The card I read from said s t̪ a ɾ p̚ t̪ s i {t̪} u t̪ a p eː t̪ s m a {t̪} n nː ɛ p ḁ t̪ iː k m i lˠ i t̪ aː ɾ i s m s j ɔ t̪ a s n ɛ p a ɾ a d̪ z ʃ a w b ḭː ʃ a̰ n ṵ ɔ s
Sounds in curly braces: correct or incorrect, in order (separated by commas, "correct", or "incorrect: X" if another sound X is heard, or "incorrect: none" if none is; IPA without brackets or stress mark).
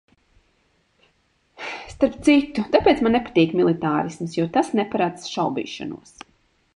correct, incorrect: none